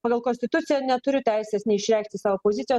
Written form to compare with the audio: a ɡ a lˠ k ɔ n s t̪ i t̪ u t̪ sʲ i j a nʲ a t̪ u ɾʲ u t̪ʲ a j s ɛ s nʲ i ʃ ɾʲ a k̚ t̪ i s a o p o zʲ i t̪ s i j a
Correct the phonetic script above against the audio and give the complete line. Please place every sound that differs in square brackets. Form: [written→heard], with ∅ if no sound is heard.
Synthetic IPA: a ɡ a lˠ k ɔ n s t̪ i t̪ u t̪ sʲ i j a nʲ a t̪ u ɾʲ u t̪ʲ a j s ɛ s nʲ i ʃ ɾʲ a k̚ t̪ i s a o p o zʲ i t̪ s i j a